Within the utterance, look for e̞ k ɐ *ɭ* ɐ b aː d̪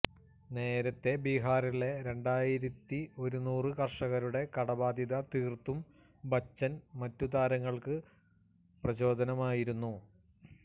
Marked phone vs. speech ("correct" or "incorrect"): incorrect